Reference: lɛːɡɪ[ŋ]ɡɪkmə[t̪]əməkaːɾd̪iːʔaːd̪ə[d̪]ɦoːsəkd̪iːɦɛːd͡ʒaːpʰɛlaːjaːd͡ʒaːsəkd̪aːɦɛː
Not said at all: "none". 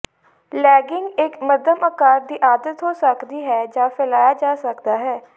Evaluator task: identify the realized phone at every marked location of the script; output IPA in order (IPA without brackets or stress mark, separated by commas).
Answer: ŋ, d̪, t̪